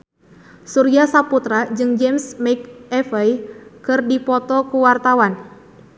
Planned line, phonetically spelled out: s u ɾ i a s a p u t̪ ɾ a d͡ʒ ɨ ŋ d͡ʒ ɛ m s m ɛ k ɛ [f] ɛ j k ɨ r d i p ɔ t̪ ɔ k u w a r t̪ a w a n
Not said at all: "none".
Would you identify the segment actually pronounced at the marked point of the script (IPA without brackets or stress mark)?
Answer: f